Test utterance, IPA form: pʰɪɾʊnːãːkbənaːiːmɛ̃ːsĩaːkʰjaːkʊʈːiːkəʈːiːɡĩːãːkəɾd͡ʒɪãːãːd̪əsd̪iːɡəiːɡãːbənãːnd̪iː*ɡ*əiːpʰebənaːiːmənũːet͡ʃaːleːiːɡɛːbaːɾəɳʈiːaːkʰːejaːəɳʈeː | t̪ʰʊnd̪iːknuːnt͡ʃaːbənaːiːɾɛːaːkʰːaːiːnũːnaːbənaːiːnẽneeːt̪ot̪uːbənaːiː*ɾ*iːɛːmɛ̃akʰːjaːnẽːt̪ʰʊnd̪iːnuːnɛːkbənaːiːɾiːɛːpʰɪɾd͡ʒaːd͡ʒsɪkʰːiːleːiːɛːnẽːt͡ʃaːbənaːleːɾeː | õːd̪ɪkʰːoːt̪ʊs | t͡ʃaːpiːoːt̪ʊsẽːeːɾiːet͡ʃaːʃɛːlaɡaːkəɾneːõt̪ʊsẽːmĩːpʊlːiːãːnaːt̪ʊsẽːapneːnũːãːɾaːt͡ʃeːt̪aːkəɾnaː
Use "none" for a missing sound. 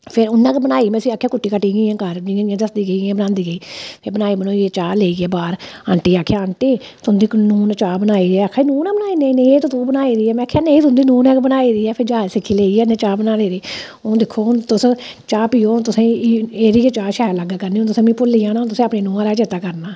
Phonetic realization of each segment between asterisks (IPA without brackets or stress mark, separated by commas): ɡ, ɾ